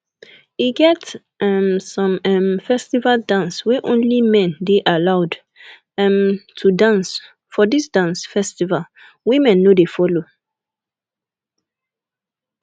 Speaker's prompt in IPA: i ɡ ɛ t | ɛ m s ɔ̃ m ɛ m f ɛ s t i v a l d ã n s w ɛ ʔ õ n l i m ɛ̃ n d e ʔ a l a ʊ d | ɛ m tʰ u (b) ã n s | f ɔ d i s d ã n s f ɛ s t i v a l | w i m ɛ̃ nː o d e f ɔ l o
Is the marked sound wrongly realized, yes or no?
yes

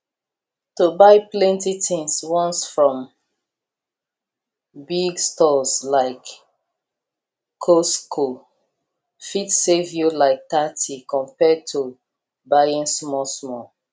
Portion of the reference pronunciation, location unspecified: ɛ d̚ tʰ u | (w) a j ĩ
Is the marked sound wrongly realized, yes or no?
yes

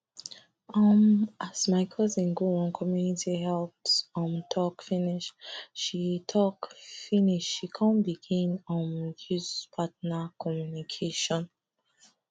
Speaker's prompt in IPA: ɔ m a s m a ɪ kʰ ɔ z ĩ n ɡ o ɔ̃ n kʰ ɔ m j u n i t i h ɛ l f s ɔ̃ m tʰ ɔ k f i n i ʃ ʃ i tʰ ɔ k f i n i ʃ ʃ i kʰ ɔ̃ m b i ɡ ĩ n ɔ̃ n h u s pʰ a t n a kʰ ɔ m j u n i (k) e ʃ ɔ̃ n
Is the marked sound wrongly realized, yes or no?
yes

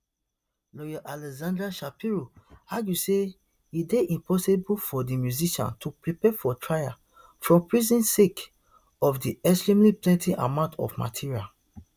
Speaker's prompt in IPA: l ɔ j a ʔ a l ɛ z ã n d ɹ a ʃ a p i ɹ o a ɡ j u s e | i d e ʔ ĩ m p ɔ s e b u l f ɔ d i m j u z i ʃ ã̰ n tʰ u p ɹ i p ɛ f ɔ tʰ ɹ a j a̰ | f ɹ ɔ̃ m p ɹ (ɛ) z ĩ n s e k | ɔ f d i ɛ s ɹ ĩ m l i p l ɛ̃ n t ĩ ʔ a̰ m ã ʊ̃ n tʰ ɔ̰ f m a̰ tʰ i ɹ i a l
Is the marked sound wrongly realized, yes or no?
yes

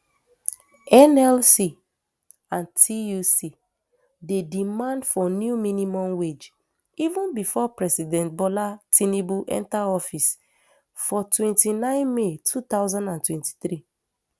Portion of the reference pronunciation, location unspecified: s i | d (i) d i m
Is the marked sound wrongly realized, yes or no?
yes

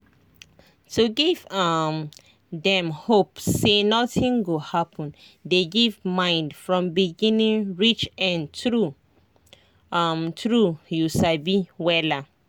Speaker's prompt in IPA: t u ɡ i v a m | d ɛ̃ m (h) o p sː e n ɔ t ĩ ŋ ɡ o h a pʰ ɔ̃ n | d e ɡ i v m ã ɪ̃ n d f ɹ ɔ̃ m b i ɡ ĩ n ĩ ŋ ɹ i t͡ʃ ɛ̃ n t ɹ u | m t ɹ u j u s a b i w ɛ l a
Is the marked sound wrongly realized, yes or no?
no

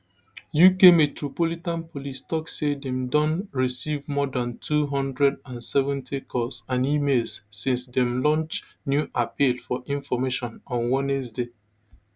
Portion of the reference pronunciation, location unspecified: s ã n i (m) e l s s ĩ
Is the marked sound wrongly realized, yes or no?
no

